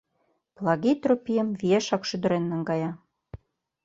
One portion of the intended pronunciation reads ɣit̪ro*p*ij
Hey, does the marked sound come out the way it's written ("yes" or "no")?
yes